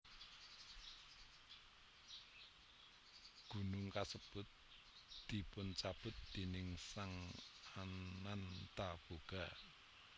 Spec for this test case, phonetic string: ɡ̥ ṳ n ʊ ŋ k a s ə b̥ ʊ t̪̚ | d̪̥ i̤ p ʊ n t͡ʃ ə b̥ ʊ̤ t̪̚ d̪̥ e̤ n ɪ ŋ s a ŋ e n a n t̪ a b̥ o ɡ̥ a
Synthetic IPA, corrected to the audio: ɡ̥ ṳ n ʊ ŋ k a s ə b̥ ʊ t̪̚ | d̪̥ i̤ p ʊ n t͡ʃ a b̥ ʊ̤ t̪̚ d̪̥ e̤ n ɪ ŋ s a ŋ a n a n t̪ a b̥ o ɡ̥ a